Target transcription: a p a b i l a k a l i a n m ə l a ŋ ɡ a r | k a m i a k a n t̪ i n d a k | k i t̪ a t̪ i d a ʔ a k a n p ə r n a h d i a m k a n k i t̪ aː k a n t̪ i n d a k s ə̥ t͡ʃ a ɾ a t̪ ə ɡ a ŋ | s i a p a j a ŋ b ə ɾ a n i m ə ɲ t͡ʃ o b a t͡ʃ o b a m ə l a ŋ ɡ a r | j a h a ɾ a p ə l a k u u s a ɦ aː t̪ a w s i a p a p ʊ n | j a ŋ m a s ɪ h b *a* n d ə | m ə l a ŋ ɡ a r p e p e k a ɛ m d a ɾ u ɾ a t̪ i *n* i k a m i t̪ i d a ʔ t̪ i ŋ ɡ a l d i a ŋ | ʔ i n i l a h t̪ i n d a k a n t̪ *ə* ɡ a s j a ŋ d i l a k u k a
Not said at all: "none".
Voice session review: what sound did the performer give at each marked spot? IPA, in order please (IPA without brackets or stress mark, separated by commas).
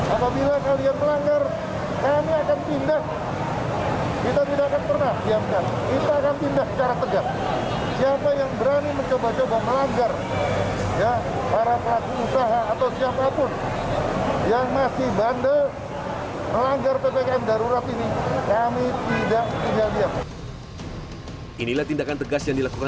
a, n, ə